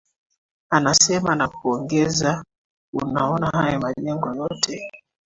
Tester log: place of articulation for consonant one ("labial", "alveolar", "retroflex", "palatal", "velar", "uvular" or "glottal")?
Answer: alveolar